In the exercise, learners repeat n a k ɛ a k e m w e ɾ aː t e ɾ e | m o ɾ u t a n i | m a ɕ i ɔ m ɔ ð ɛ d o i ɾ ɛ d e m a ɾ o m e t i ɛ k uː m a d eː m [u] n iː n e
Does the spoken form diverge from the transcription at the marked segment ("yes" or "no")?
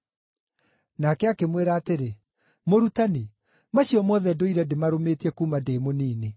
yes